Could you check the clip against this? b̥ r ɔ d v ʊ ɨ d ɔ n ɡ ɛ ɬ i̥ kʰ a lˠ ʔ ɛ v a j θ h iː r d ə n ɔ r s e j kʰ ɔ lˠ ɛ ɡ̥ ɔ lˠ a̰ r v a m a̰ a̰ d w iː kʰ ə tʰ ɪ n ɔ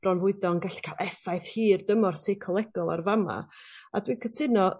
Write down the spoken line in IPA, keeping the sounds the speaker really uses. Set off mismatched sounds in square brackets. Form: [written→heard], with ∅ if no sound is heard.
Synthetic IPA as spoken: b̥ r ɔ [d→n] v ʊ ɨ d ɔ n ɡ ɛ ɬ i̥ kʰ a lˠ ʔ ɛ [v→f] a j θ h iː r d ə [n→m] ɔ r s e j kʰ ɔ lˠ ɛ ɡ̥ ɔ lˠ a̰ r v a m a̰ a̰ d w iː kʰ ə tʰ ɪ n ɔ